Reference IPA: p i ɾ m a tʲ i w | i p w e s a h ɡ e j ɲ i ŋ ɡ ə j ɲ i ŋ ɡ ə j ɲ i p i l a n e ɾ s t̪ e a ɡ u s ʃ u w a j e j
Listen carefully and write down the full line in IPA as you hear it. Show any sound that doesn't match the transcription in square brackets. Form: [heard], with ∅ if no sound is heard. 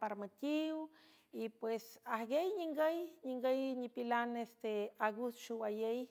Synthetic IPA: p [a] ɾ m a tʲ i w | i p w e s a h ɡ e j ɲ i ŋ ɡ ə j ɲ i ŋ ɡ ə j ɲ i p i l a n e [∅] s t̪ e a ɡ u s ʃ u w a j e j